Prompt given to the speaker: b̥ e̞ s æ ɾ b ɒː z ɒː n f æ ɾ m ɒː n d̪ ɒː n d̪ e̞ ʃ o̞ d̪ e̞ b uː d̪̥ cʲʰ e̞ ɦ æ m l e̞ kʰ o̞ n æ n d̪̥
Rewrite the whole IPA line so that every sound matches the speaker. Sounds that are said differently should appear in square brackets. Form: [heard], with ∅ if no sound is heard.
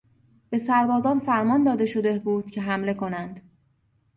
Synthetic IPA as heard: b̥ e̞ s æ ɾ b ɒː z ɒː n f æ ɾ m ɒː n d̪ ɒː [∅] d̪ e̞ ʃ o̞ d̪ e̞ b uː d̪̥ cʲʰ e̞ ɦ æ m l e̞ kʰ o̞ n æ n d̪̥